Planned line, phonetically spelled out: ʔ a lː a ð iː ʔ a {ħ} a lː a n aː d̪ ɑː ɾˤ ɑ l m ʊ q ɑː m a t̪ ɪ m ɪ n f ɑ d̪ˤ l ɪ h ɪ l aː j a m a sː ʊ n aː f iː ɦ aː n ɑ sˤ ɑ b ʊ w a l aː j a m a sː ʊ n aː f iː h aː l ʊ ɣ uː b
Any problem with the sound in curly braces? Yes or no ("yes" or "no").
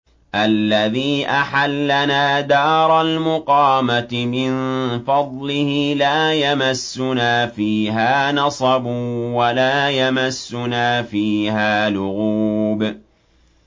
no